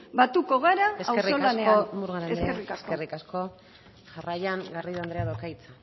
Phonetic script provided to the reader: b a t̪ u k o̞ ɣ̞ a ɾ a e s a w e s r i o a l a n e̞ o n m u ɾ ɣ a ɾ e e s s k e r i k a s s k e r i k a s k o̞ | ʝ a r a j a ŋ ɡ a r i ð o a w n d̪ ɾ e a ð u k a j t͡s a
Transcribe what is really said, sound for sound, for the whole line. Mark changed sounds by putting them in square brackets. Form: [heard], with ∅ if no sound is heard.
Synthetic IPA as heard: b a t̪ u k o̞ ɣ̞ a ɾ a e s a w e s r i o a l a n e̞ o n m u ɾ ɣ a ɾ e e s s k e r i k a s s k e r i k a s k o̞ | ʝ a r a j a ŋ ɡ a r i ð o a [∅] n d̪ ɾ e a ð [o] k a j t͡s a

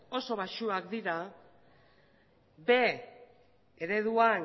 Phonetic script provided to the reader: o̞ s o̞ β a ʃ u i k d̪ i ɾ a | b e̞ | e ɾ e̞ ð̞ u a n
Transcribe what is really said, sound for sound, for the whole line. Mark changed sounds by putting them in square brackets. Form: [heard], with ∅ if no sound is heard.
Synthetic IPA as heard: o̞ s o̞ β a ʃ u [a] k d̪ i ɾ a | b e̞ | e ɾ e̞ ð̞ u a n

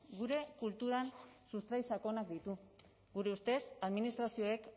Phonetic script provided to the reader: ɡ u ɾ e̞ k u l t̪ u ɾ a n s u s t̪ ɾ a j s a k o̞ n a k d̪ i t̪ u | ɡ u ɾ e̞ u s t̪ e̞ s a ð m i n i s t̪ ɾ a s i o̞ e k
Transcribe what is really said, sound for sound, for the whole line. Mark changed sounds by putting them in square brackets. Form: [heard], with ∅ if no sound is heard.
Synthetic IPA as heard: ɡ u ɾ e̞ k u l t̪ u ɾ a n s u s t̪ ɾ a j s a k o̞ n a k d̪ i t̪ u | ɡ u ɾ e̞ u s t̪ e̞ s a ð m i n i s t̪ ɾ a s i o̞ e k

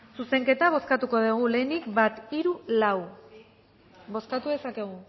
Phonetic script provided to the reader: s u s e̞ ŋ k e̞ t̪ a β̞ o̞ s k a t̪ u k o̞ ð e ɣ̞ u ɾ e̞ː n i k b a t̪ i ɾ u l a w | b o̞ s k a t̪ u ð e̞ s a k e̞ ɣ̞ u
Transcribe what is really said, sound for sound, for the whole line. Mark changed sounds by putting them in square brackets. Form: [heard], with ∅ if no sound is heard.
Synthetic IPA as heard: s u s e̞ ŋ k e̞ t̪ a β̞ o̞ s k a t̪ u k o̞ ð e ɣ̞ u [l] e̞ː n i k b a t̪ i ɾ u l a w | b o̞ s k a t̪ u ð e̞ s a k e̞ ɣ̞ u

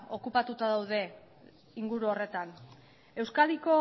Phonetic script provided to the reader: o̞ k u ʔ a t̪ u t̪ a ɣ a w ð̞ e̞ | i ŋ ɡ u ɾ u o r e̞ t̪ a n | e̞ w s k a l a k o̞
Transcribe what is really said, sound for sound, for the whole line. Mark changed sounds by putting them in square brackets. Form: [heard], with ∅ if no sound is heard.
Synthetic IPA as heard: o̞ k u [p] a t̪ u t̪ a [ð] a w ð̞ e̞ | i ŋ ɡ u ɾ u o r e̞ t̪ a n | e̞ w s k a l [i] k o̞

